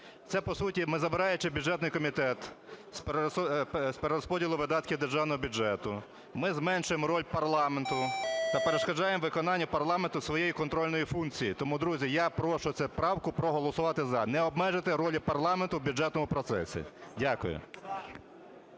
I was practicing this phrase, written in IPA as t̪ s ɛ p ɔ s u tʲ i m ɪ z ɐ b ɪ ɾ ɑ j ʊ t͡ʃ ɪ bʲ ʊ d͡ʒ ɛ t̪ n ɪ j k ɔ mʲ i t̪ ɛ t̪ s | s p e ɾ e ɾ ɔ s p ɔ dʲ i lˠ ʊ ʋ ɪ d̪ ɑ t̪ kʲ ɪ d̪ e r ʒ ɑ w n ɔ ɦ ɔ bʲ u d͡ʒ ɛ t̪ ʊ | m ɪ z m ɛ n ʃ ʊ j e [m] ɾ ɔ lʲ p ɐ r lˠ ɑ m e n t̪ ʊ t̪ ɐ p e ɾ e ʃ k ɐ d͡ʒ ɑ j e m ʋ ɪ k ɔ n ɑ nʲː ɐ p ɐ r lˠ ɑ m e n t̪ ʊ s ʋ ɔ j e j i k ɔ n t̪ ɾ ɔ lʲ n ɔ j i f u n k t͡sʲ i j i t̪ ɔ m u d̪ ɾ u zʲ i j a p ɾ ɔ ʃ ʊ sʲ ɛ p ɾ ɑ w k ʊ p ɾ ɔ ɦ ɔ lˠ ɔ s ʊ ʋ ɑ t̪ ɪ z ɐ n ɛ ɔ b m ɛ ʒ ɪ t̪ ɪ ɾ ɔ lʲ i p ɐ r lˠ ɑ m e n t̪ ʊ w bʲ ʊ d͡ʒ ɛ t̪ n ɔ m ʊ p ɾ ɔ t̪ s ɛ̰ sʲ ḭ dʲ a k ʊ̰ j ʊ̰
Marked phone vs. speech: correct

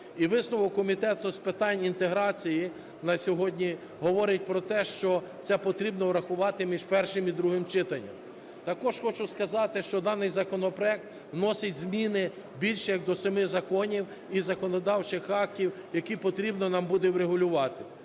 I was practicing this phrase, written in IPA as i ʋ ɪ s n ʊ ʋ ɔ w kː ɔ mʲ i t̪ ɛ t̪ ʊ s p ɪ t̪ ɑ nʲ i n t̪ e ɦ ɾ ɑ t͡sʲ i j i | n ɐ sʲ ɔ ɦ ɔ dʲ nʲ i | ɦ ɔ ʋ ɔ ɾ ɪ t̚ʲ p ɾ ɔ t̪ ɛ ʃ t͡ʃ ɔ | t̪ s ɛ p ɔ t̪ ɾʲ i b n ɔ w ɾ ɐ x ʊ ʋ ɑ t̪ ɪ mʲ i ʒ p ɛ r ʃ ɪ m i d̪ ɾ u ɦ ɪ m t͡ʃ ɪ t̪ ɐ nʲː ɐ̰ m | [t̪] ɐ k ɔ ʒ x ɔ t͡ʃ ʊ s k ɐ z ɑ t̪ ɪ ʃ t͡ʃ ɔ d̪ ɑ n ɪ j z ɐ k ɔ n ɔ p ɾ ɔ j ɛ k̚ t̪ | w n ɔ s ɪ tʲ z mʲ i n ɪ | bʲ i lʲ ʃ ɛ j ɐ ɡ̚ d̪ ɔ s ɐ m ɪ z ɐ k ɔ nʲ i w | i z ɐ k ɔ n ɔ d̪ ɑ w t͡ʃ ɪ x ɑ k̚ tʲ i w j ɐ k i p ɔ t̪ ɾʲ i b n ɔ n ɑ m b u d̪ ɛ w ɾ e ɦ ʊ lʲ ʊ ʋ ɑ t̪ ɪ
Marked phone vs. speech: correct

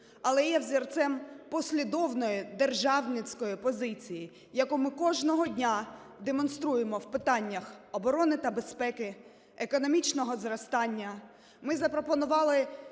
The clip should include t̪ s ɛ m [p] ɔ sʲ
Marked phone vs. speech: correct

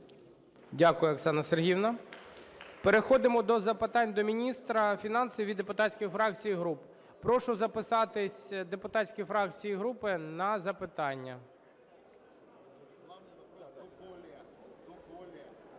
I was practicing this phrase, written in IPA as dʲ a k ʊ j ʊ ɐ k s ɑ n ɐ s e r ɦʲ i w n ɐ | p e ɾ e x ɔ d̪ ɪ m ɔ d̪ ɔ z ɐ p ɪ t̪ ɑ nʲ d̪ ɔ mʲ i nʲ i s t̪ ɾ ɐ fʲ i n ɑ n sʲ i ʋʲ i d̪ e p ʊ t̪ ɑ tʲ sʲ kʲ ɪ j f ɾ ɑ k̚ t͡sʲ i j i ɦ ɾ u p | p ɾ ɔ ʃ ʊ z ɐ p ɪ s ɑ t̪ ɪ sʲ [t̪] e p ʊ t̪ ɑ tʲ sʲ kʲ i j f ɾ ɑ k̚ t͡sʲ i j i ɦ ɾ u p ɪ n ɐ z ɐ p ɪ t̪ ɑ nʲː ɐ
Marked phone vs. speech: incorrect: d̪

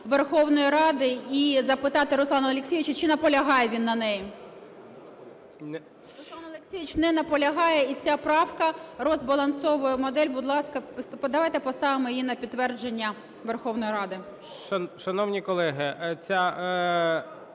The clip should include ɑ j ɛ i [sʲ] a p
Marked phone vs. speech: incorrect: t͡sʲ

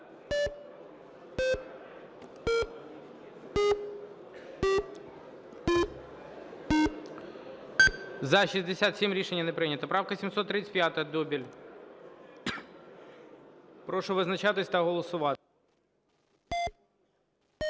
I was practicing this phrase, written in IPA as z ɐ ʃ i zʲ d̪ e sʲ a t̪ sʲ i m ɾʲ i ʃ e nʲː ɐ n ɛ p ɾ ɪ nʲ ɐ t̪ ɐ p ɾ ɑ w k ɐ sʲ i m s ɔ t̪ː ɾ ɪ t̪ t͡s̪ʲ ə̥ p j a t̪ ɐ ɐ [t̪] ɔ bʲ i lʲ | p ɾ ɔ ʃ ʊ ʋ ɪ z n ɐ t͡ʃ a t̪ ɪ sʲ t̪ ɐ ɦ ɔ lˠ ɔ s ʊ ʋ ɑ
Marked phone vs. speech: incorrect: d̪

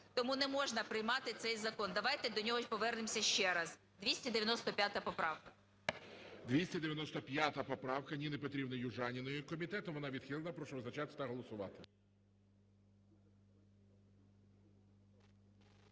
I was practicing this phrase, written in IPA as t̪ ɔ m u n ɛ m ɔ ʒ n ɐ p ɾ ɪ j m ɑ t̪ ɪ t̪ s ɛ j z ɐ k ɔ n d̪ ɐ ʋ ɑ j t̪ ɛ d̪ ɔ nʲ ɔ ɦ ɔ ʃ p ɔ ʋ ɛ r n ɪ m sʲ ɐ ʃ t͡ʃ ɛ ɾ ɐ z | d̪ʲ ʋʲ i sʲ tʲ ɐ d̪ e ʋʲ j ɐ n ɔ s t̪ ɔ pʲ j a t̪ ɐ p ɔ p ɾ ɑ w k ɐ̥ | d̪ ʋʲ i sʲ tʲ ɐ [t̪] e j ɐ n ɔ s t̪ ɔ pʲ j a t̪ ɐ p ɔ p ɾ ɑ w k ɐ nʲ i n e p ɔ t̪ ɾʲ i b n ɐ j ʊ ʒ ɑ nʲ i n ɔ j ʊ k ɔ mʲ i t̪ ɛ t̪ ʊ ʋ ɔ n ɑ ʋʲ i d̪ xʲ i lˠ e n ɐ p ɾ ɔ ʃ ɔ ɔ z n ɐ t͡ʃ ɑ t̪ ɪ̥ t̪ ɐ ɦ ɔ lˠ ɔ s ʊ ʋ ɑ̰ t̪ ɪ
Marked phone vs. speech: incorrect: d̪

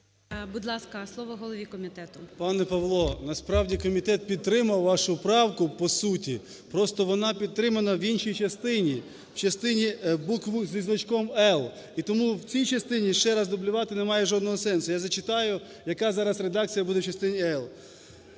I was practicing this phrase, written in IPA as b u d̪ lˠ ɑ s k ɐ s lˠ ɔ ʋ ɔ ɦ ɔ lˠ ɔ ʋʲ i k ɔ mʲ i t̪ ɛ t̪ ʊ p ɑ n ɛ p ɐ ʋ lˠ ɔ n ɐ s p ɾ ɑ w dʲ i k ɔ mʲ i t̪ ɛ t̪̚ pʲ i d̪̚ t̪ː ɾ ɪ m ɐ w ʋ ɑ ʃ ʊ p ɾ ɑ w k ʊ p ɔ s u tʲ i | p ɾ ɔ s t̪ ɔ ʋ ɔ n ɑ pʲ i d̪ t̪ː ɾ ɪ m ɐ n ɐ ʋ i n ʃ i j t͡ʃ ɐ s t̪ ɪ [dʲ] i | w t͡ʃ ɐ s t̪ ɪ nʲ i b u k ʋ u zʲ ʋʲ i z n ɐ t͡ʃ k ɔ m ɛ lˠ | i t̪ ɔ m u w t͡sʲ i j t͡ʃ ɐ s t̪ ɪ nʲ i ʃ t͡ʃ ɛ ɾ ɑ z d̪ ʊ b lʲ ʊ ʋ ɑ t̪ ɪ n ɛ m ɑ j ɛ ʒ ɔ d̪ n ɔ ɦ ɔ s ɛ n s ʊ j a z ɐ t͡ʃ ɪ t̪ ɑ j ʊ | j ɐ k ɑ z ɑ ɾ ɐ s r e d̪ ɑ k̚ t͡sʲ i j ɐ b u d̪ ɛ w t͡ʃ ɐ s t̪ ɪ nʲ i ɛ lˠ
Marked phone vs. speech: incorrect: nʲ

